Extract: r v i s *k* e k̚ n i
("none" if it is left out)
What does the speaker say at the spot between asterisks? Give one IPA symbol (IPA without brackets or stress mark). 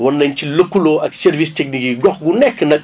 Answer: t